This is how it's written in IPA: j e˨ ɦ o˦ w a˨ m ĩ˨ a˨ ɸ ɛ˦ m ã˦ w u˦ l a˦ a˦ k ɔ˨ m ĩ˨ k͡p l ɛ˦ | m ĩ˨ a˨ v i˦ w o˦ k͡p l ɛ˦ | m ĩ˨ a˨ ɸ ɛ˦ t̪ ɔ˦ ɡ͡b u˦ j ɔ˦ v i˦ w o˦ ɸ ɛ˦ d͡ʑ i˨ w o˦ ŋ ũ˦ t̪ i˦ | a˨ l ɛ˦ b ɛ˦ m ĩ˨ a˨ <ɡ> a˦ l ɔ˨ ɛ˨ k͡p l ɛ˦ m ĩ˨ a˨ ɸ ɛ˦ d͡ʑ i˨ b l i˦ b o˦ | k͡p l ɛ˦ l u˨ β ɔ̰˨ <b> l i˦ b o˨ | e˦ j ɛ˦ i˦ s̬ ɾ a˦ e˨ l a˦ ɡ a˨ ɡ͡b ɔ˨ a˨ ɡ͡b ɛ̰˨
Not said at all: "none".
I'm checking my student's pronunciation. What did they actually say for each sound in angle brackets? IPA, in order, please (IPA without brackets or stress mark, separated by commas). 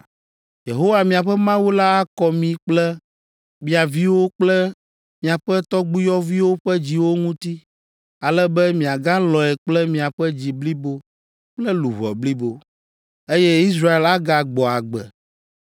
ɡ, b